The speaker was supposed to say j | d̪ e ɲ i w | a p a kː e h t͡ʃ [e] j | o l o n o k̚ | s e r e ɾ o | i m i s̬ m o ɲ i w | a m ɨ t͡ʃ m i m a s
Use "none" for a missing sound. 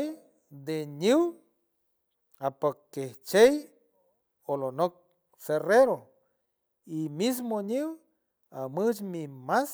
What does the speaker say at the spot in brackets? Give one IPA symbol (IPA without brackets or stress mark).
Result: e